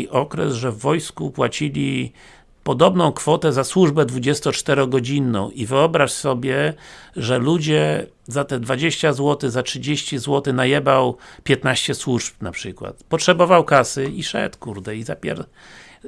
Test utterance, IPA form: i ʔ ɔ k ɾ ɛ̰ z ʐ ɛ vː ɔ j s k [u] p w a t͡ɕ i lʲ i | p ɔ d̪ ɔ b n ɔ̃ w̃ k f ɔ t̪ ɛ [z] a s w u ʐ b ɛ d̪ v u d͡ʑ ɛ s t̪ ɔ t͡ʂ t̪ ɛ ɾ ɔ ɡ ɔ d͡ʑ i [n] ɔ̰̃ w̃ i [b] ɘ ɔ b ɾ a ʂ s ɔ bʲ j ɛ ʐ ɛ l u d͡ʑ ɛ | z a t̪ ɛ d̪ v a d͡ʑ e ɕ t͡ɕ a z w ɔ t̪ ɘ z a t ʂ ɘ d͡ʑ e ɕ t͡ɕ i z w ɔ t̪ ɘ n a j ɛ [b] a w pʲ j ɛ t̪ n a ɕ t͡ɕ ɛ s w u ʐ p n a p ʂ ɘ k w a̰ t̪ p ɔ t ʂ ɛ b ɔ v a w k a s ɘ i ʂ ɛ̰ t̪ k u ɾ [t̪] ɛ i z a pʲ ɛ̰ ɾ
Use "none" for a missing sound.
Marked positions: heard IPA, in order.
u, z, nː, v, b, d̪

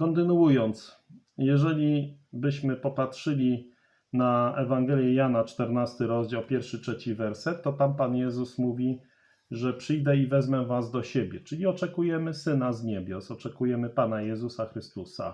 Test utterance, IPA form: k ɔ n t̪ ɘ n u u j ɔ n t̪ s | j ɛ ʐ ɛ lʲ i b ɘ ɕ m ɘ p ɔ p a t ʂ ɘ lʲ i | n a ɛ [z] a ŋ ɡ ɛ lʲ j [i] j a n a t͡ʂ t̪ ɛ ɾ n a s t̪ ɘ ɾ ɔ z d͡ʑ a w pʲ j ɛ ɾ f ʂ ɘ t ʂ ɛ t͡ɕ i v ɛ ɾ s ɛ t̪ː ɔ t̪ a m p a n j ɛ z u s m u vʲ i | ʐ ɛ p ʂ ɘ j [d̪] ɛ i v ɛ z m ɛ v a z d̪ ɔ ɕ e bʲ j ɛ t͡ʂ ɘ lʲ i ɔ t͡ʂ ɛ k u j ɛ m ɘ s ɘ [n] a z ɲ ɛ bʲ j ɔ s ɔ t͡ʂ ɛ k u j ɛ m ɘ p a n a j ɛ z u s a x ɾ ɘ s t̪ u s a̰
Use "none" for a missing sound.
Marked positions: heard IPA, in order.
v, ɛ, d̪, n

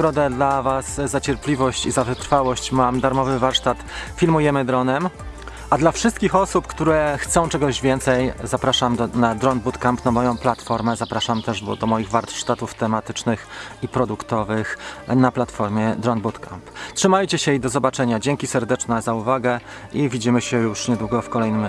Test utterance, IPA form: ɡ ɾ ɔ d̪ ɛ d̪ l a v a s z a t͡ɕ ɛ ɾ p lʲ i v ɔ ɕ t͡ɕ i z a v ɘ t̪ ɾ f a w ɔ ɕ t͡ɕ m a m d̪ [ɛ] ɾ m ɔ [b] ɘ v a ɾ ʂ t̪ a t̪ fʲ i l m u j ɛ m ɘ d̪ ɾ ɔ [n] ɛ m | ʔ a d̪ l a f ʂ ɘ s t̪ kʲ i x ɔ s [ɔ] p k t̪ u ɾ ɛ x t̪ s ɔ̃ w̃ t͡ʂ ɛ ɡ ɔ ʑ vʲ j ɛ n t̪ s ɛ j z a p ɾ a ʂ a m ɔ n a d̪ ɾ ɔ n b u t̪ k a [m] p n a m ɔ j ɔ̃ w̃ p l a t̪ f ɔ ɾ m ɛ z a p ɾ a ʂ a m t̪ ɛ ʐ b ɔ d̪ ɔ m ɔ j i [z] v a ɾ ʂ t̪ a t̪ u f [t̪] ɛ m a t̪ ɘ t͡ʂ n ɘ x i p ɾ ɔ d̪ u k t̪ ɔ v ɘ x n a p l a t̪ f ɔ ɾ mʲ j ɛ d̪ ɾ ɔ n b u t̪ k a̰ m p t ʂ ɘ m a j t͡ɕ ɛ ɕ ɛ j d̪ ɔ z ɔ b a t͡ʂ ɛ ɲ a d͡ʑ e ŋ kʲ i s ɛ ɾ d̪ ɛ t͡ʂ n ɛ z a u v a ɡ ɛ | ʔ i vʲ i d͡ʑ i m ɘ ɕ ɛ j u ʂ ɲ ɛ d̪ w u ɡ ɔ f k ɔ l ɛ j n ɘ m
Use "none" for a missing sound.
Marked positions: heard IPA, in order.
a, v, n, u, m, ɣ, t̪

